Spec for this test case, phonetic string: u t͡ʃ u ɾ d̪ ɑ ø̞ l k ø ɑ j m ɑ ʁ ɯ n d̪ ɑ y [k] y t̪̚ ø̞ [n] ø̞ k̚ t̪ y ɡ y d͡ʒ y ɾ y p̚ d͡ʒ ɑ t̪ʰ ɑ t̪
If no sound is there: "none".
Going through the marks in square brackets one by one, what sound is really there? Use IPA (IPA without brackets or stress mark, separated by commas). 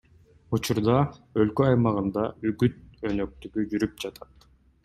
ɡ, n